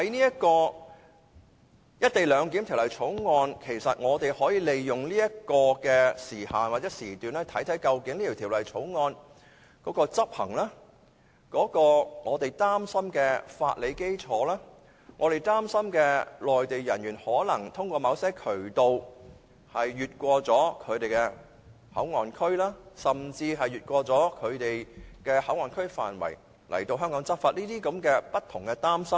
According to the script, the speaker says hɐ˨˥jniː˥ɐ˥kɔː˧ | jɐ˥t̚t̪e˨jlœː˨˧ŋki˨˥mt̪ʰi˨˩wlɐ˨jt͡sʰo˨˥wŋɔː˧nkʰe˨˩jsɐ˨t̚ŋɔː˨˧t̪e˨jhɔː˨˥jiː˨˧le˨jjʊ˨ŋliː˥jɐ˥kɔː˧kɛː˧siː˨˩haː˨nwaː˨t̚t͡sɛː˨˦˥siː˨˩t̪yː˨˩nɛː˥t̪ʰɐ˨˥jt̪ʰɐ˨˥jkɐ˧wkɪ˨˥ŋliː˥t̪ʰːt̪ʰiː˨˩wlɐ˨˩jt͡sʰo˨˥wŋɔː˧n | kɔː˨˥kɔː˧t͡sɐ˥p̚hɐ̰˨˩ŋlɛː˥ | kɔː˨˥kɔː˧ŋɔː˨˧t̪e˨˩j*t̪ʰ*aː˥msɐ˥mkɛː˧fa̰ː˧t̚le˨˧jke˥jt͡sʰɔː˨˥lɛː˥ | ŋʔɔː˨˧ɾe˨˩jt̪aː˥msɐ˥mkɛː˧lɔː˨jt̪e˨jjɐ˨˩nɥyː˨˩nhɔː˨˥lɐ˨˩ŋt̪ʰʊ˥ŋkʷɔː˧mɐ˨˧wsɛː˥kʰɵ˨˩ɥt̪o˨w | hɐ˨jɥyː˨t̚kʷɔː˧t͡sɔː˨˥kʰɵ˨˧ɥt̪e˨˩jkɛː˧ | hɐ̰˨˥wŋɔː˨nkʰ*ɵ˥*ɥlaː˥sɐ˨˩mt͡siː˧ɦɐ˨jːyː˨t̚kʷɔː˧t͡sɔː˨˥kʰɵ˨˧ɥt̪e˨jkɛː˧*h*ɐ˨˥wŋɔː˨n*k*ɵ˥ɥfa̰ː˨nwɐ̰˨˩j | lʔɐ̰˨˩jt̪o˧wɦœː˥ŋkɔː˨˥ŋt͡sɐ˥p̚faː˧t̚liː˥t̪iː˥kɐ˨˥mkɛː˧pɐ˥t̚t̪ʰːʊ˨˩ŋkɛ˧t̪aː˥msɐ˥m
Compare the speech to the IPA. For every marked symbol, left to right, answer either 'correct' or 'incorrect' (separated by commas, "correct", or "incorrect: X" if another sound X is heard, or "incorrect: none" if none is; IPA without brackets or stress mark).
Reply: incorrect: t̪, correct, correct, incorrect: kʰ